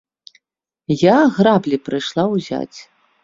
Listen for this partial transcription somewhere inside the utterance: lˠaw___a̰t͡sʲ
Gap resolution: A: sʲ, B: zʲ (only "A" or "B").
B